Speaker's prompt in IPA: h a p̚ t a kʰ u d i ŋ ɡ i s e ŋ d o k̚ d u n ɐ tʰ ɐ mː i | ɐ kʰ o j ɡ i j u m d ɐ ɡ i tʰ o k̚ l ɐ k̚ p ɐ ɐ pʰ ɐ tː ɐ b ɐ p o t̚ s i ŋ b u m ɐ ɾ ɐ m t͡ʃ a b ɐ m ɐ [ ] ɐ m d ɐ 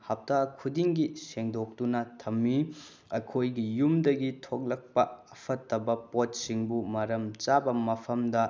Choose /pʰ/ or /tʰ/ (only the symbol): pʰ